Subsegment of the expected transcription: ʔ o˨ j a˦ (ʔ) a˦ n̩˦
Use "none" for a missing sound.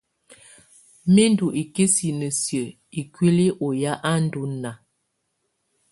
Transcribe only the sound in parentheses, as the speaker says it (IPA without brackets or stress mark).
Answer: ʔ